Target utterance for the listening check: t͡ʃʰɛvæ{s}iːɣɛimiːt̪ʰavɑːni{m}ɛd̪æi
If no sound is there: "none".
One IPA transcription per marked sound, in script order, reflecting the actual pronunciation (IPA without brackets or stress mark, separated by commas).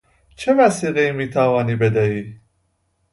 s, b